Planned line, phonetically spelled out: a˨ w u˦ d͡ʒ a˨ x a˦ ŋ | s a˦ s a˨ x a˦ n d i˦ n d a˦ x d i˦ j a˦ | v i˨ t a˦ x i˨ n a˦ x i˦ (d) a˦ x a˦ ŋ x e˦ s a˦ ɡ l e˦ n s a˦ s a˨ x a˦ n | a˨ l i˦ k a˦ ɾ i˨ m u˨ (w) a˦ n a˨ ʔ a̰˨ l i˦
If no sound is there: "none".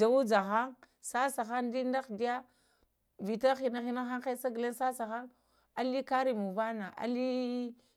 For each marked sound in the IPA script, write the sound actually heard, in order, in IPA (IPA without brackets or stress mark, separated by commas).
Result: n, v